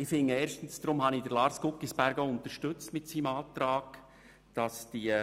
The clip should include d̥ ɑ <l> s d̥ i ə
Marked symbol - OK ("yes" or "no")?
no